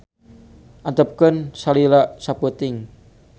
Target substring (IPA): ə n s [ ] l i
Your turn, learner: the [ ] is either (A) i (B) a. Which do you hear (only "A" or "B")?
B